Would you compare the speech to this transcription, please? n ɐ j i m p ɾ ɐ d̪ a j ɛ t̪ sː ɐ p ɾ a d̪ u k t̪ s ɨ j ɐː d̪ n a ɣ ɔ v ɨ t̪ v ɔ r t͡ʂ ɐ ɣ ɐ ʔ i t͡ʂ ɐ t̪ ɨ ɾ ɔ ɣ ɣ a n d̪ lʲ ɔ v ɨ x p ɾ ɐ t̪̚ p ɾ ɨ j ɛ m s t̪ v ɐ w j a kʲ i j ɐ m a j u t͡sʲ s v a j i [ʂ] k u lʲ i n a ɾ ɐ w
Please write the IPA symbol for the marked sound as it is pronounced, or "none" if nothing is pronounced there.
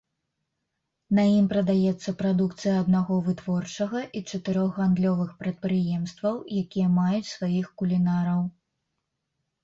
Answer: x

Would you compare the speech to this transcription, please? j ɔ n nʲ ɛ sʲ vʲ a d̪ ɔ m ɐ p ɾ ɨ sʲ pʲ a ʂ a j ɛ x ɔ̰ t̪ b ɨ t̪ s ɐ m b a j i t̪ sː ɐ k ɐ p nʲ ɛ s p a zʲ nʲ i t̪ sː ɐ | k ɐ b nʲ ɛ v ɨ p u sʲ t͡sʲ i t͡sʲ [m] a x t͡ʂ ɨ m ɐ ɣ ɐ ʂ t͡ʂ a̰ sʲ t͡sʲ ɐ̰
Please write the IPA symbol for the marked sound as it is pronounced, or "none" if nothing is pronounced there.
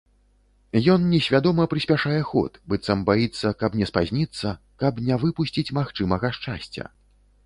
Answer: m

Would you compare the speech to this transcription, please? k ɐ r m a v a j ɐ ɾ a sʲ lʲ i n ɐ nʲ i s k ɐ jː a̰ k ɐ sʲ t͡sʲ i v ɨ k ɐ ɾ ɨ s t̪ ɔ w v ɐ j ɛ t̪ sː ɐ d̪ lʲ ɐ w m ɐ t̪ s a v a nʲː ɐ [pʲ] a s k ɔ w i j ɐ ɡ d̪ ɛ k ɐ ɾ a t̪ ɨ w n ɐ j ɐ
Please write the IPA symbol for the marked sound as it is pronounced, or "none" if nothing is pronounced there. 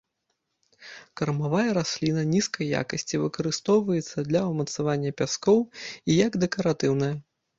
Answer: pʲ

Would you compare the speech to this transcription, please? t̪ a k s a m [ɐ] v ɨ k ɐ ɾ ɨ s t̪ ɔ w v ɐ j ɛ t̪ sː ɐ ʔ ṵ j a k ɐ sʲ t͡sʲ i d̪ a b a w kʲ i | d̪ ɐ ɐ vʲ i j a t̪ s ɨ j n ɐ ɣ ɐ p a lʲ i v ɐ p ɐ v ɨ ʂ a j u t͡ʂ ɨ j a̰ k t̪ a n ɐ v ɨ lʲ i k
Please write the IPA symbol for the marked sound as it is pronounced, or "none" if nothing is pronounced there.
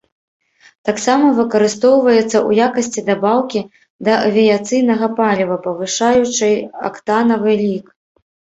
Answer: ɐ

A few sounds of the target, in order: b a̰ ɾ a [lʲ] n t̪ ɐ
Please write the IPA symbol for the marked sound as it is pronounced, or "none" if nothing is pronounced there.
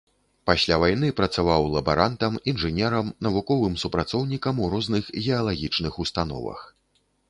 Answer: none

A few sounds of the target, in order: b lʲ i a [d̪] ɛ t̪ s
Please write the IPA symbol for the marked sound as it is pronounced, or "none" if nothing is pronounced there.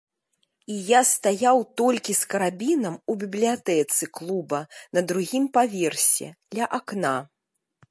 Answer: t̪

